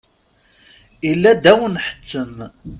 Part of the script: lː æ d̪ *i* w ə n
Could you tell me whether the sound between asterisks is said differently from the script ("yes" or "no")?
yes